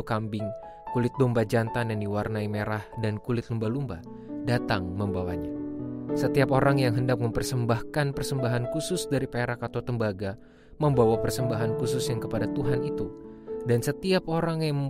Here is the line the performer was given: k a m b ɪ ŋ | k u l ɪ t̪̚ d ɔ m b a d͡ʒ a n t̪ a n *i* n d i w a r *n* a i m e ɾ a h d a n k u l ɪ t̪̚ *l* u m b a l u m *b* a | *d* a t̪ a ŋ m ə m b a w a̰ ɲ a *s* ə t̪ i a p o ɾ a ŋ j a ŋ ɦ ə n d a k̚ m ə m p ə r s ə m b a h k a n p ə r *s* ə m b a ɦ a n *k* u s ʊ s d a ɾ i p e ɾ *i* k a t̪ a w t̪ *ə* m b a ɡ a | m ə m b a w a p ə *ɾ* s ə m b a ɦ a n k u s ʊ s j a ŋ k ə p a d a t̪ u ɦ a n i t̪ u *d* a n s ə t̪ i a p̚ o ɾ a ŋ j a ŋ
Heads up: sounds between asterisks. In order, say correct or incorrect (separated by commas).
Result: incorrect, correct, correct, correct, correct, correct, correct, correct, incorrect, correct, incorrect, correct